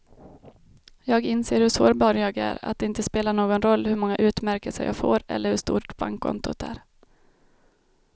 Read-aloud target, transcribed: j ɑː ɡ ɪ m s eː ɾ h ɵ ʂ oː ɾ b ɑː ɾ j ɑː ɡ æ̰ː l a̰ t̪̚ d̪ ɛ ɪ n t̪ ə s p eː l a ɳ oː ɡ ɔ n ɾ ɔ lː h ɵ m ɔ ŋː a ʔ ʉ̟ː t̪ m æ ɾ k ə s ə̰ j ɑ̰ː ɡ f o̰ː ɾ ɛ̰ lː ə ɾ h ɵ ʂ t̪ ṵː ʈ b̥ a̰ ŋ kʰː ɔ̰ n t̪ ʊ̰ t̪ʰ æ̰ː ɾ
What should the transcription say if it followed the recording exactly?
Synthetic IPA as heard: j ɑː ɡ ɪ n s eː ɾ h ɵ ʂ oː ɾ b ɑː ɾ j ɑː ɡ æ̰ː ɾ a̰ t̪̚ d̪ ɛ ɪ n t̪ ə s p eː l a ɳ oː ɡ ɔ n ɾ ɔ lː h ɵ m ɔ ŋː a ʔ ʉ̟ː t̪ m æ ɾ k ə s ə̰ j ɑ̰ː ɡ f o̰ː ɾ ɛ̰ lː ə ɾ h ɵ ʂ t̪ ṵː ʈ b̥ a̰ ŋ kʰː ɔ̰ n t̪ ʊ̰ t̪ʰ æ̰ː ɾ

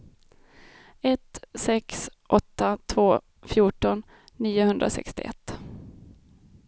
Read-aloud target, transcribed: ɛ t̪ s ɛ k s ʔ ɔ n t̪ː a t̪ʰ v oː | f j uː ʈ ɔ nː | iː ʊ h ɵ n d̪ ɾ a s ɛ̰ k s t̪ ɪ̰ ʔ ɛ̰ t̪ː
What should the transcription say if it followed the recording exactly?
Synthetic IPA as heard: ɛ t̪ s ɛ k s ʔ ɔ t̪ː a t̪ʰ v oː | f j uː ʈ ɔ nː | iː ʊ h ɵ n d̪ ɾ a s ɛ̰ k s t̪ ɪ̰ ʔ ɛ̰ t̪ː

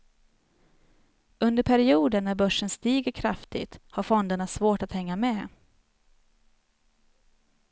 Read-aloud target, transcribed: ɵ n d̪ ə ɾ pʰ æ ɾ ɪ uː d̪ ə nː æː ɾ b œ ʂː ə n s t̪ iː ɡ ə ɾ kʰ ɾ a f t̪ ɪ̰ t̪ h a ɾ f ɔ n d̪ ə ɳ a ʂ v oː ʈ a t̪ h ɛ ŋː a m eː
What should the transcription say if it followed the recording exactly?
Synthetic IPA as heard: ɵ n d̪ ə ɾ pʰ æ ɾ ɪ uː d̪ ə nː æ ɾ b œ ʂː ə n s t̪ iː ɡ ə ɾ kʰ ɾ a f t̪ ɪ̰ t̪ h a ɾ f ɔ n d̪ ə ɳ a s v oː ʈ a t̪ h ɛ ŋː a m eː

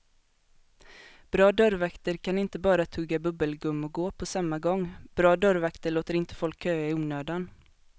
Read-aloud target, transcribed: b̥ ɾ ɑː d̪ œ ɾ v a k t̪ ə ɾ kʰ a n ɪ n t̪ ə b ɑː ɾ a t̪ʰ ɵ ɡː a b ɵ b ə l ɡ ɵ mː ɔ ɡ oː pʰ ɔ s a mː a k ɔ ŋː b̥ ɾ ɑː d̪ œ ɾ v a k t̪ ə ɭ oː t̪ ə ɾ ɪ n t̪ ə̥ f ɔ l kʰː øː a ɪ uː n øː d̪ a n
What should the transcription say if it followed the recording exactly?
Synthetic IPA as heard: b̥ ɾ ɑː d̪ œ ɾ v a k t̪ ə ɾ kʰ a n ɪ n t̪ ə b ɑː ɾ a t̪ʰ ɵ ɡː a b ɵ b ə l ɡ ɵ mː ɔ ɡ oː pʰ ɔ s a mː a ɡ ɔ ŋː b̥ ɾ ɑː d̪ œ ɾ v a k t̪ ə ɭ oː t̪ ə ɾ ɪ n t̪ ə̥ f ɔ l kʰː øː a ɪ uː n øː d̪ a n

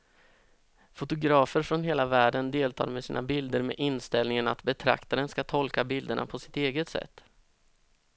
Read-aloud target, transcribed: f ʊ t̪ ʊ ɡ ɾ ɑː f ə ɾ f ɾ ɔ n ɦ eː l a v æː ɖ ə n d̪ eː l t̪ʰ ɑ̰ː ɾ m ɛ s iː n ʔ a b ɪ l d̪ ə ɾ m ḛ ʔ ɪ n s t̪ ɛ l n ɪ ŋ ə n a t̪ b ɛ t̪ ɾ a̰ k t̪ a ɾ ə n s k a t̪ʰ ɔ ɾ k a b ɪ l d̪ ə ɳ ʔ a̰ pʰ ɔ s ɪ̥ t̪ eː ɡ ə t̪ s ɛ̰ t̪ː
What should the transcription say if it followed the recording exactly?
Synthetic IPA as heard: f ʊ t̪ ʊ ɡ ɾ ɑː f ə ɾ f ɾ ɔ n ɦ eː l a v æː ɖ ə n d̪ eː l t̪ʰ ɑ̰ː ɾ m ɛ s iː n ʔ a b ɪ l d̪ ə ɾ m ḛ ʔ ɪ n s t̪ ɛ l n ɪ ŋ ə n a t̪ b ɛ t̪ʰ ɾ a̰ k t̪ a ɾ ə n s k a t̪ʰ ɔ l k a b ɪ l d̪ ə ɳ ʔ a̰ pʰ ɔ s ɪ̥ t̪ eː ɡ ə t̪ s ɛ̰ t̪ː

